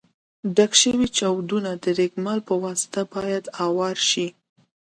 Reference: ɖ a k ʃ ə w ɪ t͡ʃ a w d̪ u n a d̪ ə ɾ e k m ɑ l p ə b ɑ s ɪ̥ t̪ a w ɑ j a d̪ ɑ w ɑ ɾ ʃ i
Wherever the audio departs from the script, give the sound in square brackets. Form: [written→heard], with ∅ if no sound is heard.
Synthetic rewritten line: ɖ a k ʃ ə w [ɪ→i] t͡ʃ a w d̪ u n a d̪ ə ɾ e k m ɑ l p ə [b→w] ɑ s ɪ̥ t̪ a [w→b] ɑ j a d̪ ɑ w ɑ ɾ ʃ i